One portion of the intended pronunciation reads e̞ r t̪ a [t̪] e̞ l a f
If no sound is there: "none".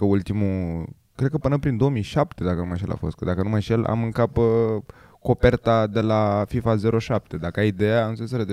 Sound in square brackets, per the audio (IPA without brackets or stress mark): d̪